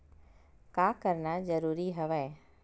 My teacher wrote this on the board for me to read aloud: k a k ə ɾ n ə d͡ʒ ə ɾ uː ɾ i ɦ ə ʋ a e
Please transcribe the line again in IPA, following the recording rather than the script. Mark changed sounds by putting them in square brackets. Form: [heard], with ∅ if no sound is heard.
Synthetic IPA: k a k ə ɾ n [a] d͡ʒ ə ɾ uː ɾ i ɦ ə ʋ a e